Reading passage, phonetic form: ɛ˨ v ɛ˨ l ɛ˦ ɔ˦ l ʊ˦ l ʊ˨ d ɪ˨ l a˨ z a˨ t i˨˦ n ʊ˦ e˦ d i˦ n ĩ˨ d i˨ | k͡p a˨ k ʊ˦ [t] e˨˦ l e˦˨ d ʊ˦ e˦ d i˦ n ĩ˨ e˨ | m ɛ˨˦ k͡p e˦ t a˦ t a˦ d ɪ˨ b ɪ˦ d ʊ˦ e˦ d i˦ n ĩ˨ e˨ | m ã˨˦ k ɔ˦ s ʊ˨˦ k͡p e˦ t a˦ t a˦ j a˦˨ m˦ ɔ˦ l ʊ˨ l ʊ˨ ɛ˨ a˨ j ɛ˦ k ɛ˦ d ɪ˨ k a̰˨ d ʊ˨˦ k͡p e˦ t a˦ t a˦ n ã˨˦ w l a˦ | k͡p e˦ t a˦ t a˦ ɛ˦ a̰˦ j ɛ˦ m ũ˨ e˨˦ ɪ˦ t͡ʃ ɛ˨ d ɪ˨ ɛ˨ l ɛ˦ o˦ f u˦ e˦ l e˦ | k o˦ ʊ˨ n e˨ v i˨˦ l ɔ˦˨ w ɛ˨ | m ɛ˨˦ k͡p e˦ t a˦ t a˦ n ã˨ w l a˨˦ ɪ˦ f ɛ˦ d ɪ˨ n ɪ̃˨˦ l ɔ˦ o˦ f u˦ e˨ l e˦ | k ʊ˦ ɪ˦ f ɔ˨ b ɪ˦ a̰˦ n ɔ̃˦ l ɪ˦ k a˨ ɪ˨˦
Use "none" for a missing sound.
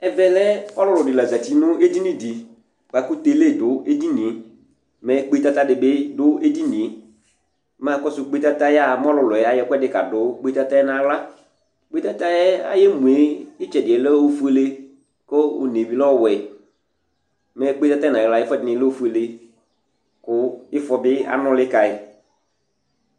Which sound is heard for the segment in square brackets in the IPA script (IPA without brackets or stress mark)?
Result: t